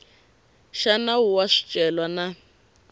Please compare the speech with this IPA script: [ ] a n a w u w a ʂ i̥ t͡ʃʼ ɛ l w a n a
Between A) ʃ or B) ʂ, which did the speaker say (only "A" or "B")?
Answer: A